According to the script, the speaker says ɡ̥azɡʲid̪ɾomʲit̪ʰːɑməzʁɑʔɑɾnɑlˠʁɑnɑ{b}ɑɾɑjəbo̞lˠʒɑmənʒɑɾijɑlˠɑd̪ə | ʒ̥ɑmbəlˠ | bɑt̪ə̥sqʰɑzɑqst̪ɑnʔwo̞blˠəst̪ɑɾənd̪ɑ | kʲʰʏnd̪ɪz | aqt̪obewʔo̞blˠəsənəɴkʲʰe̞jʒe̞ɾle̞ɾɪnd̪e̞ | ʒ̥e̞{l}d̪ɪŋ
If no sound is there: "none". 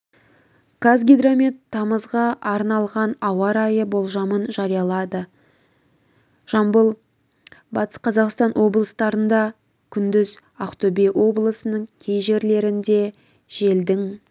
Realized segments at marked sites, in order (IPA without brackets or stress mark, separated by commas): w, l